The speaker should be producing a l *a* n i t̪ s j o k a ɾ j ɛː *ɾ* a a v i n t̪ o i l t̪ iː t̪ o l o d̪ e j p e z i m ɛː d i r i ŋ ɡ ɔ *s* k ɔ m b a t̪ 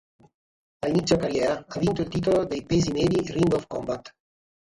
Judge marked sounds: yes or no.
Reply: no, yes, no

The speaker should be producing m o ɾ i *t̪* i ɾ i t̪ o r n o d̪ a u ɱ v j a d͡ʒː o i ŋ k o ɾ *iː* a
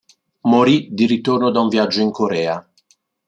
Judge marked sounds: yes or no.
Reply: no, no

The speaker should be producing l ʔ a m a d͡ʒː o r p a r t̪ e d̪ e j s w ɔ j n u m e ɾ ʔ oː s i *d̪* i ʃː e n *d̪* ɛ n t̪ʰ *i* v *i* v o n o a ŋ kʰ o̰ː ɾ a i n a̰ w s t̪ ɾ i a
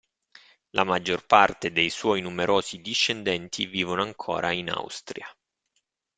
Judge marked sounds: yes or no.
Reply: yes, yes, yes, no

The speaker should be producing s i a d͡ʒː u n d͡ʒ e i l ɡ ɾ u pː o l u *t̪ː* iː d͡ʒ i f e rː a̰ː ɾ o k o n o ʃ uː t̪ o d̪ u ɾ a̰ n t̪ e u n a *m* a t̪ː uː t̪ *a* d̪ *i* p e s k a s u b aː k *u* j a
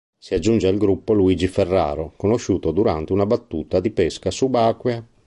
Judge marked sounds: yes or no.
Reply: no, no, yes, yes, no

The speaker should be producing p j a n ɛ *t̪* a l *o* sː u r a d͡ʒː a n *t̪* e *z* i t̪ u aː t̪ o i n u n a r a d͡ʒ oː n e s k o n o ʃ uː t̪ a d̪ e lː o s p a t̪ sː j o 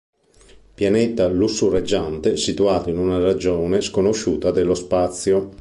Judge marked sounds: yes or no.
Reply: yes, no, yes, no

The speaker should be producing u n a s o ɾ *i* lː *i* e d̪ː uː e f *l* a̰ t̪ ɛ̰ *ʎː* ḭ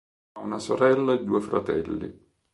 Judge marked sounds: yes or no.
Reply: no, no, no, no

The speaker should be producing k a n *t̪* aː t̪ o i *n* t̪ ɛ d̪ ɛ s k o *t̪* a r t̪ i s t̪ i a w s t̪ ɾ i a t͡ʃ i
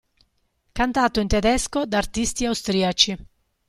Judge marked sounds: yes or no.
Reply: yes, yes, no

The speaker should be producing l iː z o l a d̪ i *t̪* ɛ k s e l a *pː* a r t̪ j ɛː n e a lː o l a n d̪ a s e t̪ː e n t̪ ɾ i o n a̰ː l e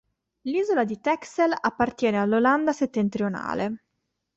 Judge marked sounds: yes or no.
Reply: yes, yes

